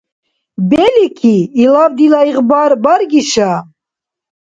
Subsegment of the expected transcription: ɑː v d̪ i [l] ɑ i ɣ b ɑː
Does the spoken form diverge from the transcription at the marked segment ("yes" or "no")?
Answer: no